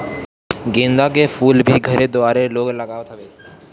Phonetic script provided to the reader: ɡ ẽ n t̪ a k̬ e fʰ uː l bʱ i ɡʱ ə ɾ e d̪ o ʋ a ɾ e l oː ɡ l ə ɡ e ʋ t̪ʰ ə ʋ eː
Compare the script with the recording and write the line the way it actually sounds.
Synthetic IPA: ɡ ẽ n d̪ a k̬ e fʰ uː l bʱ i ɡʱ ə ɾ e d̪ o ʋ a ɾ e l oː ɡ l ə ɡ a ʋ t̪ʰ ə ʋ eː